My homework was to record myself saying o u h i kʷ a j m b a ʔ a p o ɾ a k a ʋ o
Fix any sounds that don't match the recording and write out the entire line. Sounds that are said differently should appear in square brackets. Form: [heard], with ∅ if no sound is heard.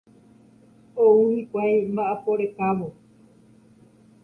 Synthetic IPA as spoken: o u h i kʷ a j m b a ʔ a p o ɾ [e] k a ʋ o

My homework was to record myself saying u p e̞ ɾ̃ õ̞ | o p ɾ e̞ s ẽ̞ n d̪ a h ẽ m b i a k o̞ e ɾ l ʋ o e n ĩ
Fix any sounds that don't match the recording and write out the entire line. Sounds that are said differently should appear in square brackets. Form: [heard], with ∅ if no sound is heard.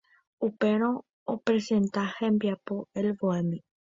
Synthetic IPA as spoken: u p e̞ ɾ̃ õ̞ | o p ɾ e̞ s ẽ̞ n [t̪] a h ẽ m b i a [p] o̞ e [∅] l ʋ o e [m] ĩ

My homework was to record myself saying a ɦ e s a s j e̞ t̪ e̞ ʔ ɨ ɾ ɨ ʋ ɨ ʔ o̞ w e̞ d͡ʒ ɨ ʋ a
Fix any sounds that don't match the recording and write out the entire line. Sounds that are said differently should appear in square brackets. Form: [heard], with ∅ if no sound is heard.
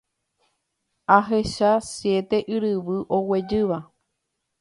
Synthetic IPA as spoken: a ɦ e [ʃ] a s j e̞ t̪ e̞ ʔ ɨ ɾ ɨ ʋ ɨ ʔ o̞ w e̞ d͡ʒ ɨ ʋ a

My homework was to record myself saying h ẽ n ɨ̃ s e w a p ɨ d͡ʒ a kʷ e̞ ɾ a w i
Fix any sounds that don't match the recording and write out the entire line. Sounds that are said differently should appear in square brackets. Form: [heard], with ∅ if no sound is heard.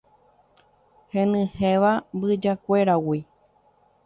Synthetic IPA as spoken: h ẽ n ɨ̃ [h] e [ʋ] a [b] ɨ d͡ʒ a kʷ e̞ ɾ a w i

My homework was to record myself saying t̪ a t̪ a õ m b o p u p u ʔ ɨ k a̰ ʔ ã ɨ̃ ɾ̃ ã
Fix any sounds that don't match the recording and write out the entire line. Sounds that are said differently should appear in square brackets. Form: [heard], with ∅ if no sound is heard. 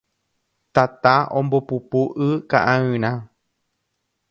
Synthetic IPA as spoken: t̪ a t̪ a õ m b o p u p u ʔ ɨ k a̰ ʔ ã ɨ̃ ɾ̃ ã

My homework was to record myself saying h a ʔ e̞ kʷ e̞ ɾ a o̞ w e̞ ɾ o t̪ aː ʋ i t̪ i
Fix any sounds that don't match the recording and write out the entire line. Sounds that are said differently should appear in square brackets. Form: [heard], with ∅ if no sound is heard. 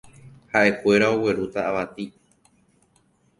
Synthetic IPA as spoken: h a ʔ e̞ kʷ e̞ ɾ a o̞ w e̞ ɾ [u] t̪ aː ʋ [a] t̪ i

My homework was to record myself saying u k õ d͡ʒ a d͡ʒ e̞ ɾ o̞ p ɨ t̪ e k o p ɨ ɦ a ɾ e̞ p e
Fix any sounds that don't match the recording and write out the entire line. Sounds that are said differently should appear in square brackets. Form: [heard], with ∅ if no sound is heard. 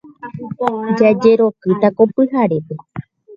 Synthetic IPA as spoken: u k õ d͡ʒ a d͡ʒ e̞ ɾ o̞ [k] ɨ t̪ [a] k o p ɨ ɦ a ɾ e̞ p e

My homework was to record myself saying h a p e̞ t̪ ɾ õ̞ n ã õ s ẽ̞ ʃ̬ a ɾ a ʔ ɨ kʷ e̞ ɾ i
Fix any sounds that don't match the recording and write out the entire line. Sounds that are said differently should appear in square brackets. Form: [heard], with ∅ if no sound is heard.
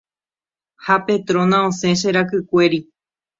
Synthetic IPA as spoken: h a p e̞ t̪ ɾ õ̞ n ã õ s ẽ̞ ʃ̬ [e] ɾ a [k] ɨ kʷ e̞ ɾ i

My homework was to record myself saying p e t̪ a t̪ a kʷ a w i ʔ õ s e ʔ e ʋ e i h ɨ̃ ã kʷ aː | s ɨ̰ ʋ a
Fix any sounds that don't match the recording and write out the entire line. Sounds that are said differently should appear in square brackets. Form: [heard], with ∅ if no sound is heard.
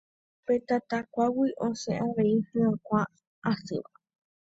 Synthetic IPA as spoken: p e t̪ a t̪ a kʷ a w i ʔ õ s e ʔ [a] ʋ e i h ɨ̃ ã kʷ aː | s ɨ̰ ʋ a

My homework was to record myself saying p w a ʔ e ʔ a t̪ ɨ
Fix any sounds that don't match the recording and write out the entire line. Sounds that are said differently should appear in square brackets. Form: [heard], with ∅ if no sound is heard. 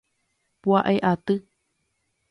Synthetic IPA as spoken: p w a ʔ e ʔ a t̪ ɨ

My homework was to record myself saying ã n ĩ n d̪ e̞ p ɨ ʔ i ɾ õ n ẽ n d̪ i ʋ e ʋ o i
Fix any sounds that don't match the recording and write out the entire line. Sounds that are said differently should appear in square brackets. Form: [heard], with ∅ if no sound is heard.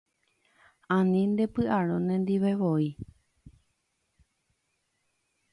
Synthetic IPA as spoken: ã n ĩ n d̪ e̞ p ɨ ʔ [a] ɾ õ n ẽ n d̪ i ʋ e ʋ o i

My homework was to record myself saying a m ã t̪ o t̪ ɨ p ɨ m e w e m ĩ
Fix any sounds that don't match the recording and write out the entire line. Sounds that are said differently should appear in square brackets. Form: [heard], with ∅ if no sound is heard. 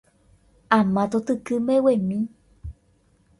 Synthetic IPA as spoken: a m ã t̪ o t̪ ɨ [k] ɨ m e w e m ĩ

